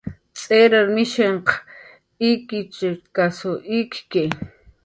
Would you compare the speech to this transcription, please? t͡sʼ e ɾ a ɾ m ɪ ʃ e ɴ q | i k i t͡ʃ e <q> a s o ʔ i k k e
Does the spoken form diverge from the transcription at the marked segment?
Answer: yes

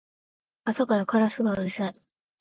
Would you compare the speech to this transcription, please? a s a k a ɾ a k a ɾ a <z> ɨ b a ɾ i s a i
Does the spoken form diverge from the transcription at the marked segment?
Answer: yes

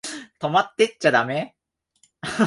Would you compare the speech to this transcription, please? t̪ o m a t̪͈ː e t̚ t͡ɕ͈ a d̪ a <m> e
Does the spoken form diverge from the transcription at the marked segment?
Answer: no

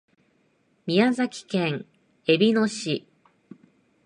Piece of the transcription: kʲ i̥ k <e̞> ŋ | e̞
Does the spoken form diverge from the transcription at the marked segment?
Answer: yes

